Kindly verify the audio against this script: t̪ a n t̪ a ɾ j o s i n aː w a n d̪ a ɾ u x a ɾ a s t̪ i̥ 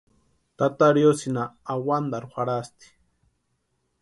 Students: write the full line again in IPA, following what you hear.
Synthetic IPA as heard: t̪ a t̪ a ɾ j o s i n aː w a n d̪ a ɾ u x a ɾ a s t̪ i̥